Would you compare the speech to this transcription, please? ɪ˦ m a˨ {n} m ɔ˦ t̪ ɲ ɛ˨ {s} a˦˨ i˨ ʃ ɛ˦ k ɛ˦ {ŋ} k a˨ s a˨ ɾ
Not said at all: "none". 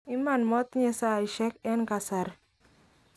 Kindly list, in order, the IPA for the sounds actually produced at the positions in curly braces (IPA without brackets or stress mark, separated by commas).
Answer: n, s, n